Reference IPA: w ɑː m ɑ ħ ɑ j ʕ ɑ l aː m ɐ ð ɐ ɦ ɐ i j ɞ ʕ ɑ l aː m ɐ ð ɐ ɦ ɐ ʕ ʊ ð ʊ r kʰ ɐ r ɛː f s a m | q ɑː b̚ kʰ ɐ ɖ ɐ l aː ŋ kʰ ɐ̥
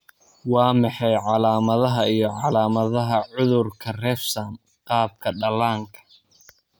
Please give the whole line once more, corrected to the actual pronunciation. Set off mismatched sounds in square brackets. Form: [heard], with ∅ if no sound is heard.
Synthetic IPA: w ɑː m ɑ ħ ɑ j ʕ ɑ l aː m ɐ ð ɐ ɦ ɐ i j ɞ ʕ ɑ l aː m ɐ ð ɐ ɦ ɐ ʕ ʊ ð ʊ r kʰ ɐ r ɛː f s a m | q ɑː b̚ kʰ ɐ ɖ ɐ l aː ŋ kʰ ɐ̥